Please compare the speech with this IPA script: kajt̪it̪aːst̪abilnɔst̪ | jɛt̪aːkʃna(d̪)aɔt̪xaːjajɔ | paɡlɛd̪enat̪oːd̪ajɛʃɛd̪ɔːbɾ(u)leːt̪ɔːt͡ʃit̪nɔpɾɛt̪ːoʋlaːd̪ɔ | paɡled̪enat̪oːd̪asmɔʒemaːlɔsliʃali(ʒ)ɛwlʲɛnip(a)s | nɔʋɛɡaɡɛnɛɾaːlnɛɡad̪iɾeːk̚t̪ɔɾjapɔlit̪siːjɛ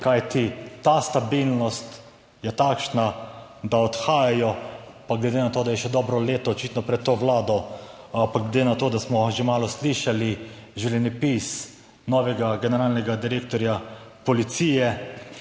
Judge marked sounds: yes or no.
yes, no, yes, no

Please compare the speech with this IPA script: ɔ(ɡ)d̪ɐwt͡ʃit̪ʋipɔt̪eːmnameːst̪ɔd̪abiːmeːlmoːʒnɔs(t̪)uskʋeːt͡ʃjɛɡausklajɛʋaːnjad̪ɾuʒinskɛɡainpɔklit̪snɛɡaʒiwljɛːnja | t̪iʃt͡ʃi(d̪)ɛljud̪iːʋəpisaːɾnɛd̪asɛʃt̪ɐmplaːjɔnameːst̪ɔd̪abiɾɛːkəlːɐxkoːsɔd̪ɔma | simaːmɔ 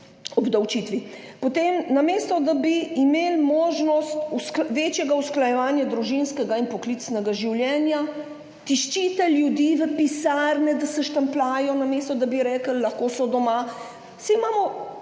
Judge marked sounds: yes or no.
no, yes, no

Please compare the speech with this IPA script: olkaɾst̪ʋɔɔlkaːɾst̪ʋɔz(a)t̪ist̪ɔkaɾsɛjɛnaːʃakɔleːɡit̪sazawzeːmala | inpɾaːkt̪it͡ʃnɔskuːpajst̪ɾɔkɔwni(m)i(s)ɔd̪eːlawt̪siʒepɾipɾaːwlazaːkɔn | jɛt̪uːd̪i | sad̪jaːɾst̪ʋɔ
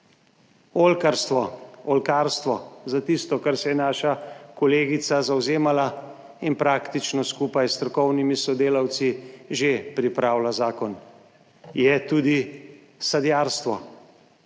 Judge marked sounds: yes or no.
yes, yes, yes

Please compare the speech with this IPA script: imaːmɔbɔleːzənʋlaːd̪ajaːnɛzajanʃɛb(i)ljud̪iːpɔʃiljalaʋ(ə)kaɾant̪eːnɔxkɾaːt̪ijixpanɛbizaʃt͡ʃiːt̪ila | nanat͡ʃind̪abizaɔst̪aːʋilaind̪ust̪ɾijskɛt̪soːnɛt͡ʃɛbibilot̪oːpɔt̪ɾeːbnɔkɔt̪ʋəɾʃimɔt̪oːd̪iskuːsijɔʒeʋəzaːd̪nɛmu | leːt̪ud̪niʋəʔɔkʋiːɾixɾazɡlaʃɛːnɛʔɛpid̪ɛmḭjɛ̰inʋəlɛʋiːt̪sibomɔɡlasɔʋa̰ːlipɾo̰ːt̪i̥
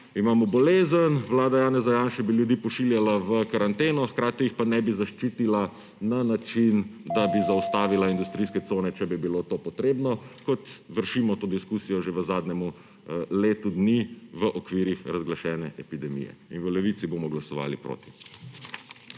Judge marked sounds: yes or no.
yes, yes

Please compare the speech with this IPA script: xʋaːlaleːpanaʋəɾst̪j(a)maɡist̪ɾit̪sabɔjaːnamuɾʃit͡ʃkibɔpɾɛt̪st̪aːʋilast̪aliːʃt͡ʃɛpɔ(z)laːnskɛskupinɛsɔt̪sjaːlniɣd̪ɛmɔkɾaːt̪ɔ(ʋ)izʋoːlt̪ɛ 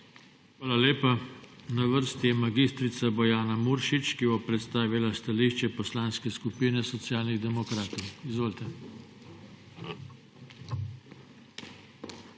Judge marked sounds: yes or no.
no, no, no

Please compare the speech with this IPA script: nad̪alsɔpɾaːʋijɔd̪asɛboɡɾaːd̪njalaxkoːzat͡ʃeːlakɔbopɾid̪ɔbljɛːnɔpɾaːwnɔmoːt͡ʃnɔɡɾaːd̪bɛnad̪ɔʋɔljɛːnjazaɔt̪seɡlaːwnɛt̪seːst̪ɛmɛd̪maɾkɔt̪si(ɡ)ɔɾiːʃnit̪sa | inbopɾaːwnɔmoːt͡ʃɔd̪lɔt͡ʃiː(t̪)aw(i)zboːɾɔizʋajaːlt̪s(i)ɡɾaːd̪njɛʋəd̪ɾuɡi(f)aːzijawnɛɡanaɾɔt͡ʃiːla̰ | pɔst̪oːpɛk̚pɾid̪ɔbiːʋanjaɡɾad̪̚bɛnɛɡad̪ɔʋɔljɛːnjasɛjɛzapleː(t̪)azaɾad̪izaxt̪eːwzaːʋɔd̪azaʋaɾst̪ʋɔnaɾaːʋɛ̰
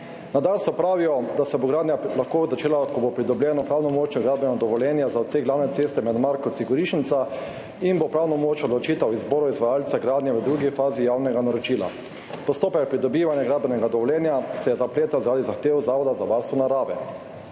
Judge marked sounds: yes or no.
yes, yes, yes, no, yes, yes

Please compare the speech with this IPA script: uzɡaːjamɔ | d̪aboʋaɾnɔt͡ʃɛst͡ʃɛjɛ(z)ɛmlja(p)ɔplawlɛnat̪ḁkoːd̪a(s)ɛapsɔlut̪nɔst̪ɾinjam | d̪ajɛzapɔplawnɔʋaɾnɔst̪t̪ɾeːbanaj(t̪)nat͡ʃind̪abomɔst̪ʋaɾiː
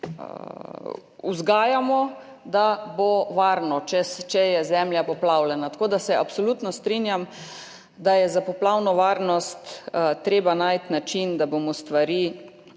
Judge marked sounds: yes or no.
yes, yes, yes, yes

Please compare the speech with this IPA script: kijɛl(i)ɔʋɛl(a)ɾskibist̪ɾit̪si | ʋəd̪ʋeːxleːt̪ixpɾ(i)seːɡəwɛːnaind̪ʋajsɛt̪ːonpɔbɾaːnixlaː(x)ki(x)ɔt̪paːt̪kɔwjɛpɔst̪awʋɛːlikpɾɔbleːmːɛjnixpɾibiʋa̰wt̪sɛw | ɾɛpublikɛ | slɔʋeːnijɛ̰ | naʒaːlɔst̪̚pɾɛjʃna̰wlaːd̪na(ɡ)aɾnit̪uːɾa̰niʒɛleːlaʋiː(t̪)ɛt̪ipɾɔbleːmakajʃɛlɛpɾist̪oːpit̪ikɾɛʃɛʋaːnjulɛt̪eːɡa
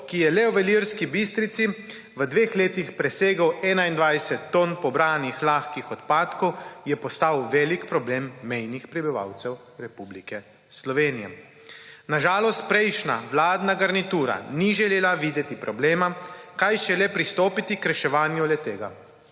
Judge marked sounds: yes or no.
no, no, no, yes, yes, yes, no

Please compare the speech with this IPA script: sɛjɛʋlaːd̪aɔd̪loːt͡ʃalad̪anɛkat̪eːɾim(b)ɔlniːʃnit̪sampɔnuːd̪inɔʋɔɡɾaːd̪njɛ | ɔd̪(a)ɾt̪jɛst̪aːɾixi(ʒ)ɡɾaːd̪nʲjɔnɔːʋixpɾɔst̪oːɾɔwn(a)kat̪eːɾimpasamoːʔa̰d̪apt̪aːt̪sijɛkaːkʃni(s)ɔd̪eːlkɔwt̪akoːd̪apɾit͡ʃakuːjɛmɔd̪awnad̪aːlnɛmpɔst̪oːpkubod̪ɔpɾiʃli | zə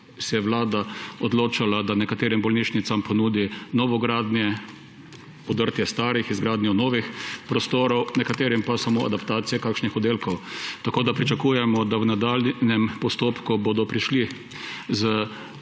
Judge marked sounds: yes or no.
yes, no, no, no, no

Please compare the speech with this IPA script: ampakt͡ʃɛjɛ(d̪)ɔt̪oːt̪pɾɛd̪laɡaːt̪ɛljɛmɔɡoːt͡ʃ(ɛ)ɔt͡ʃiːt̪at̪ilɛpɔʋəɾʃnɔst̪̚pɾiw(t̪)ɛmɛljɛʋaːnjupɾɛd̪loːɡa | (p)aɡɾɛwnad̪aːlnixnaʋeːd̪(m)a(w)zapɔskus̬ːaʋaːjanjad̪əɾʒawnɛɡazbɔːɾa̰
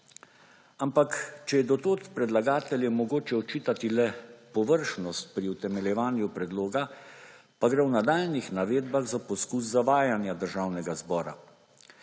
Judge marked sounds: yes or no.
yes, yes, yes, yes, no, no

